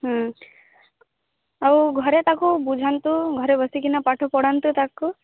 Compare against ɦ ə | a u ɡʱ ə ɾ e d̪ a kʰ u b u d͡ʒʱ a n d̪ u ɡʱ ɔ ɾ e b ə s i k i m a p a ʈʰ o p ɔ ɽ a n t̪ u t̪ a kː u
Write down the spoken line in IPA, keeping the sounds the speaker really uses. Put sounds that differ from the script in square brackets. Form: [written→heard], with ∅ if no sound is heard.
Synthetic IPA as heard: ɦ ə | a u ɡʱ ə ɾ e [d̪→t̪] a [kʰ→k] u b u d͡ʒʱ a n [d̪→t̪] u ɡʱ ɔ ɾ e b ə s i k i [m→n] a p a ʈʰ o p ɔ ɽ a n t̪ u t̪ a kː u